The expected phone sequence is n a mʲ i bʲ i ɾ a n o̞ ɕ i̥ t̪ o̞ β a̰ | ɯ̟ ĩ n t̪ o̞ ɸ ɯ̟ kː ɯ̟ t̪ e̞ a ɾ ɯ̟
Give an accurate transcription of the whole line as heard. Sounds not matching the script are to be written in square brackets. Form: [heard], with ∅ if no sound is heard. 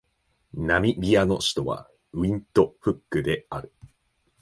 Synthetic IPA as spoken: n a mʲ i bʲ i [∅] a n o̞ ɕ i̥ t̪ o̞ β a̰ | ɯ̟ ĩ n t̪ o̞ ɸ ɯ̟ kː ɯ̟ [d̪] e̞ a ɾ ɯ̟